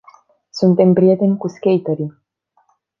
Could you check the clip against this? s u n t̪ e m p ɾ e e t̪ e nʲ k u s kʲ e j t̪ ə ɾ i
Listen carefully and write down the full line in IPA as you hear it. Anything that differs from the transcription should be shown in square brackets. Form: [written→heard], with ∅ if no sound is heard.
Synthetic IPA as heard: s u n t̪ e m p ɾ [e→i] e t̪ e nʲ k u s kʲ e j t̪ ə ɾ i